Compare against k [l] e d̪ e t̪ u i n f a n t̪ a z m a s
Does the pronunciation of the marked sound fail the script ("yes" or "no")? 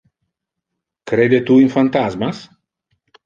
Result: yes